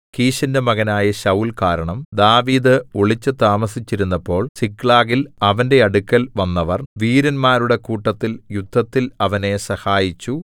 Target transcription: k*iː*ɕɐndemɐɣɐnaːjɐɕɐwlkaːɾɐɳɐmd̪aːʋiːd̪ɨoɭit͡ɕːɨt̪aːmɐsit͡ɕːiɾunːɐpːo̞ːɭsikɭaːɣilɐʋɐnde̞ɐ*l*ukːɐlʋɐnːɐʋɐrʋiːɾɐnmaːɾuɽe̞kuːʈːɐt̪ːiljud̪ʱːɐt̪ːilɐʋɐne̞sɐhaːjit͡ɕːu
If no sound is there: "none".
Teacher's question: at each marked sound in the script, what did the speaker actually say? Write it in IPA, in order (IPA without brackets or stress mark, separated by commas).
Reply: iː, ɽ